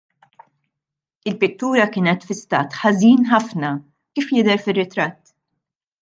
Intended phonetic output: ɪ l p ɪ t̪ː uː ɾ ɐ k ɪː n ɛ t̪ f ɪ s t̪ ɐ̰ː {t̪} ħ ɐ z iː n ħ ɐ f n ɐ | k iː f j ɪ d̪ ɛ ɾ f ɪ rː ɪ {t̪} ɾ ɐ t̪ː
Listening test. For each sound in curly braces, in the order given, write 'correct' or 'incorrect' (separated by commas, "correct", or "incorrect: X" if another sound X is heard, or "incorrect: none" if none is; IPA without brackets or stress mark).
correct, correct